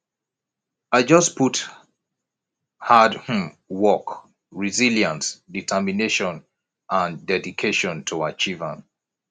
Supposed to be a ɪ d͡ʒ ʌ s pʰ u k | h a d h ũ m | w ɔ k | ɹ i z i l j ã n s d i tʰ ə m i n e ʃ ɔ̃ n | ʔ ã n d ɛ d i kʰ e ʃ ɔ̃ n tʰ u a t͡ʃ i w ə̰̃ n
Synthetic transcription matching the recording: a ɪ d͡ʒ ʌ s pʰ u t | h a d h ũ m | w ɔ k | ɹ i z i l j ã n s d i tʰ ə m i n e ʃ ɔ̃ n | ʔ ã n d ɛ d i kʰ e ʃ ɔ̃ n tʰ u a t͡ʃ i v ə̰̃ n